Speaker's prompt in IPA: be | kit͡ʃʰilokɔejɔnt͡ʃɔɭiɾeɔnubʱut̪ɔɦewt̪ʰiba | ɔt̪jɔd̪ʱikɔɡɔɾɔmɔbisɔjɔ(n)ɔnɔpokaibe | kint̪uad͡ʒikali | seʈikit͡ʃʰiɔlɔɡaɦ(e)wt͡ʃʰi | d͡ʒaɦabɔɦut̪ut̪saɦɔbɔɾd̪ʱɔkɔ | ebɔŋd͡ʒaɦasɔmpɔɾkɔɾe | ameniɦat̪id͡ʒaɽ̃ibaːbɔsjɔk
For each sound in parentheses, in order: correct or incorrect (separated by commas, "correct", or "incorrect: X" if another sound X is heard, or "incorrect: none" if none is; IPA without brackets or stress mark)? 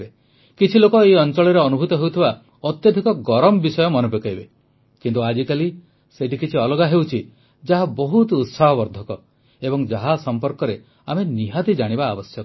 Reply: incorrect: m, correct